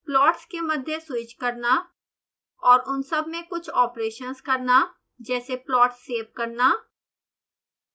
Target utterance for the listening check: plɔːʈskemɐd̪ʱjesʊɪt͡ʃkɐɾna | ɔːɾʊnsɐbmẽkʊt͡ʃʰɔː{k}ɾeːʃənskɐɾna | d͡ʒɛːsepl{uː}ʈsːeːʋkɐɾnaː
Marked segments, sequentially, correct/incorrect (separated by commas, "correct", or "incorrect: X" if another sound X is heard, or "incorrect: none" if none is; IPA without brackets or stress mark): incorrect: p, incorrect: ɔː